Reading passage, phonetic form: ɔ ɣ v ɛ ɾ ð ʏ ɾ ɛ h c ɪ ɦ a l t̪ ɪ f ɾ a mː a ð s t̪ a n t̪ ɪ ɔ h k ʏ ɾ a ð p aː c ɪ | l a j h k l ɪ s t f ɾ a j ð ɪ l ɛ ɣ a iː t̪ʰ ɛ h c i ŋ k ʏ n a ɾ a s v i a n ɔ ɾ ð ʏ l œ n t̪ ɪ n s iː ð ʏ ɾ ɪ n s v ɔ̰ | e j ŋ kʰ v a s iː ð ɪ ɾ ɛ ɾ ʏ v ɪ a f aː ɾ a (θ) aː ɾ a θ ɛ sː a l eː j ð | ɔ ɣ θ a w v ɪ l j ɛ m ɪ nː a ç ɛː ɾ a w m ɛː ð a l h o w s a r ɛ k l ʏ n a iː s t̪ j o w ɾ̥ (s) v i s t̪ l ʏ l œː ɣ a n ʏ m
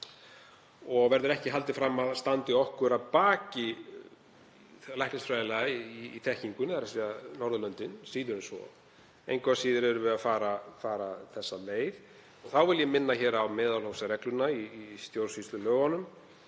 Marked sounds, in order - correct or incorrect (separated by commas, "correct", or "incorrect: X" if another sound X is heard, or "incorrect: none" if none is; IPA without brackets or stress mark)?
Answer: incorrect: f, correct